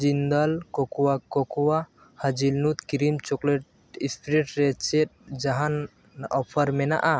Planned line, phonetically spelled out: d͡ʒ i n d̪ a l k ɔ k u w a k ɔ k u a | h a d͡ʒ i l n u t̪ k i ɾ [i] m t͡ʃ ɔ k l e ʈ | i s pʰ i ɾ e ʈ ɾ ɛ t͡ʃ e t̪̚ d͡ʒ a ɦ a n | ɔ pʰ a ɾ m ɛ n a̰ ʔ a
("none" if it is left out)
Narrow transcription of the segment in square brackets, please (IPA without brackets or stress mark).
i